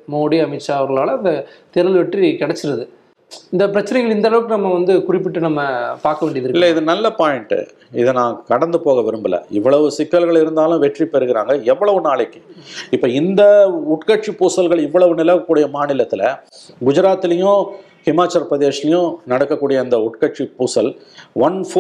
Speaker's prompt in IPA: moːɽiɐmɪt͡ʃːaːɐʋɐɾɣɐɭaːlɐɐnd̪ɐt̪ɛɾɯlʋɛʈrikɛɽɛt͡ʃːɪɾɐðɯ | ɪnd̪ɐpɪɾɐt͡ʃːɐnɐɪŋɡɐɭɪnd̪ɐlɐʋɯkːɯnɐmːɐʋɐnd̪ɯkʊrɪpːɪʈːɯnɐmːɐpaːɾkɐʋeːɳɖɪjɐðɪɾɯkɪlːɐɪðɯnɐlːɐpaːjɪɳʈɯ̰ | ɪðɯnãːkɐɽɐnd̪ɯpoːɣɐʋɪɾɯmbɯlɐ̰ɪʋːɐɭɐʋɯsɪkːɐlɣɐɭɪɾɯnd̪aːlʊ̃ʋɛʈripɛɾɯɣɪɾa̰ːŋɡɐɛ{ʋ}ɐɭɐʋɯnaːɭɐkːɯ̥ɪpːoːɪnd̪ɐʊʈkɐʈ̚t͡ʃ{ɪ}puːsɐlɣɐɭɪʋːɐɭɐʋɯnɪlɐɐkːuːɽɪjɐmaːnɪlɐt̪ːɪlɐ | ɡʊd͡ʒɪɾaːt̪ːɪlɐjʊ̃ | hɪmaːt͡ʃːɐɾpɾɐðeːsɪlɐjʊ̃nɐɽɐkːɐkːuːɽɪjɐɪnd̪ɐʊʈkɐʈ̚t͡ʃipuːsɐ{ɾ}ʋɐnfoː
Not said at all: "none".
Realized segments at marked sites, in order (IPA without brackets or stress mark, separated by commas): ʋː, i, l